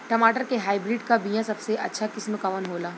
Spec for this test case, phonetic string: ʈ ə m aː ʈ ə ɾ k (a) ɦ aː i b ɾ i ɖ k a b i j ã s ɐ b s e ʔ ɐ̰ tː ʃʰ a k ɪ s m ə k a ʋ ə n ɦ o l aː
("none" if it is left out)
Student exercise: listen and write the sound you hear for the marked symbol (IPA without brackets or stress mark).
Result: e